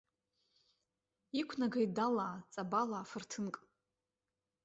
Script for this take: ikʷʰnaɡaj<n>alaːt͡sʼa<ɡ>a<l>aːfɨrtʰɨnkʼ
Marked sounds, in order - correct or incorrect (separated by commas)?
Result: incorrect, incorrect, correct